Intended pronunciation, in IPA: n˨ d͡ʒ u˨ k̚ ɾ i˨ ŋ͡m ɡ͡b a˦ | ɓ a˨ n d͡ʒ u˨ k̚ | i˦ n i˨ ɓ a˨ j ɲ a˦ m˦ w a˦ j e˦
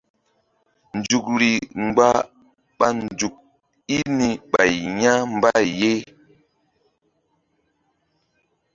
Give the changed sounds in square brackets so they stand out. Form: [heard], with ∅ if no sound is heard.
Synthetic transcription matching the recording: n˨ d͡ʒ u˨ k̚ ɾ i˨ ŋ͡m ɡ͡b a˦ | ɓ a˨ n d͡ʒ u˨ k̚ | i˦ n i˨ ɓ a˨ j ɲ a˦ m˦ [b] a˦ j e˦